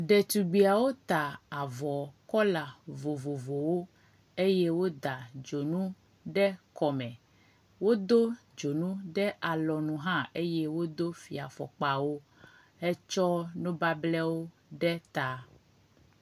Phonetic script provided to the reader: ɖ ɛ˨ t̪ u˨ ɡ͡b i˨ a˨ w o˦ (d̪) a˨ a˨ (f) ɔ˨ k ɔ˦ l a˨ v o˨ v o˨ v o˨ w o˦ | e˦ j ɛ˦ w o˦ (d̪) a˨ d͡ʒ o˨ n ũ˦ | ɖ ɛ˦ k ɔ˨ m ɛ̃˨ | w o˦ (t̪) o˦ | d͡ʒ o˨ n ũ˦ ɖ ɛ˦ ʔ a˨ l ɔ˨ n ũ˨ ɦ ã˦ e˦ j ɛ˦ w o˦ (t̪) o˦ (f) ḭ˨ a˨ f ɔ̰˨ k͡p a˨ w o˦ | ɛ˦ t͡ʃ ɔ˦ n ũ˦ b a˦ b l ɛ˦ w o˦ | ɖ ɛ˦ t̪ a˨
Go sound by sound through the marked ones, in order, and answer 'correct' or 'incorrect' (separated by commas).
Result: incorrect, incorrect, correct, incorrect, incorrect, correct